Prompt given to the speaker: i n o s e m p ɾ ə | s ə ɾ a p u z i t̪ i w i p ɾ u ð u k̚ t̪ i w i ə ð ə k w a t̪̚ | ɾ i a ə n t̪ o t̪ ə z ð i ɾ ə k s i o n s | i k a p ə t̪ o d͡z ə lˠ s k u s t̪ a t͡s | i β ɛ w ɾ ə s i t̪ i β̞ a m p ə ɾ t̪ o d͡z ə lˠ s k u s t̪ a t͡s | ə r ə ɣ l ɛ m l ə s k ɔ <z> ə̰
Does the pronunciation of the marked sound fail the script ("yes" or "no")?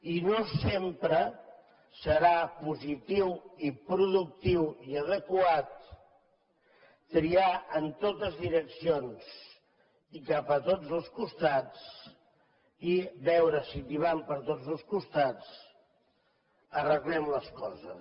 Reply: no